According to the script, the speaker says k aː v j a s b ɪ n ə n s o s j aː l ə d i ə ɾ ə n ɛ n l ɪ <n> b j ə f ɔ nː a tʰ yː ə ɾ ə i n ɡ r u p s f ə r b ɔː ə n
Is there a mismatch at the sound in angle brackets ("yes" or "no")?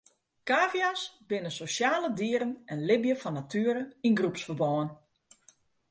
yes